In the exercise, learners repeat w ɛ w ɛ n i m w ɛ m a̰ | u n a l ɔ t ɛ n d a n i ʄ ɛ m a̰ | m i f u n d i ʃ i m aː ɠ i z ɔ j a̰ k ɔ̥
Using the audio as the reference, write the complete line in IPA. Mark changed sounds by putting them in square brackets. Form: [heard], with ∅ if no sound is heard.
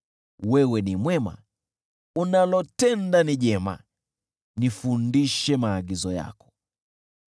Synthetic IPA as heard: w ɛ w ɛ n i m w ɛ m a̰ | u n a l ɔ t ɛ n d a n i ʄ ɛ m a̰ | [n] i f u n d i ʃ [ɛ] m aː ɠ i z ɔ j a̰ k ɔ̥